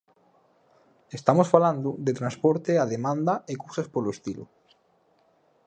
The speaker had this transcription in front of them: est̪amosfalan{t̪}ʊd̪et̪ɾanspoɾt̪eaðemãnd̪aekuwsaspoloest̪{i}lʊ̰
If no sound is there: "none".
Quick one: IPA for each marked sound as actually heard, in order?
d̪, i

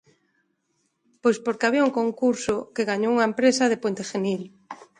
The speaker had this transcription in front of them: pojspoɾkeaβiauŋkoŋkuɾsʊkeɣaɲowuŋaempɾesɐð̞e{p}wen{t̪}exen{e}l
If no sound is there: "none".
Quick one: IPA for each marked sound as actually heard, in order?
p, t̪, i

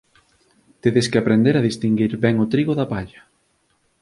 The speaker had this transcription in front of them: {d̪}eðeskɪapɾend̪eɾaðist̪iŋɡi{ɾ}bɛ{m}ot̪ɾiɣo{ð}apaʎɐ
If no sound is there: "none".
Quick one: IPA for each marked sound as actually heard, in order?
t̪, ɾ, ŋ, ð

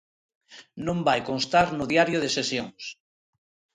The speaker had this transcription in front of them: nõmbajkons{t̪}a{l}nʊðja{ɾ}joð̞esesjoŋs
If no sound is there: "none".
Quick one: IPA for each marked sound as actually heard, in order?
t̪, ɾ, ɾ

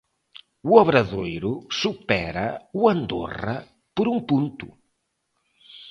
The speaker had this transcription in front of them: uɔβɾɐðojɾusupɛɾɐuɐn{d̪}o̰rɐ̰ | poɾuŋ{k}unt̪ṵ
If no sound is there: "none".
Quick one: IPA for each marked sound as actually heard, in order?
d̪, p

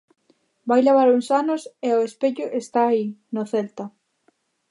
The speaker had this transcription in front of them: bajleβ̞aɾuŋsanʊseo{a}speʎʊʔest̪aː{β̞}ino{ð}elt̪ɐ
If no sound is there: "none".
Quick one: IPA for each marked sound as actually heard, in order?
e, none, θ

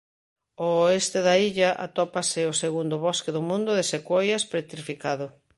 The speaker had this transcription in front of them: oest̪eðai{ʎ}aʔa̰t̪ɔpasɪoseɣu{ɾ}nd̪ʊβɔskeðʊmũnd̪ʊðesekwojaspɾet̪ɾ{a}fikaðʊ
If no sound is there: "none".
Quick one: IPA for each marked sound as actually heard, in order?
ʎ, none, i

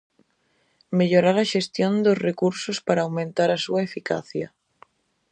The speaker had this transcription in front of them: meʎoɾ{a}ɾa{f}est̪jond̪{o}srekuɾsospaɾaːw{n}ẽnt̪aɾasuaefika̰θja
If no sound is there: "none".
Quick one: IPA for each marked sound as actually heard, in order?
a, ʃ, o, m

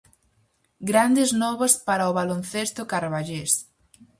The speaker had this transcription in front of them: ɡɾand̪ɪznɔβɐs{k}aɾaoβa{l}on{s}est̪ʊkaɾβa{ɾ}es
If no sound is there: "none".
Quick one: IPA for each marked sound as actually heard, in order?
p, l, θ, ʎ

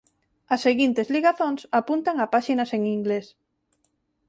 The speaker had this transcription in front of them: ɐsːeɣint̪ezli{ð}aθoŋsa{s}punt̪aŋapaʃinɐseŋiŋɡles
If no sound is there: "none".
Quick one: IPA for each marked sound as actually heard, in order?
ɣ, none

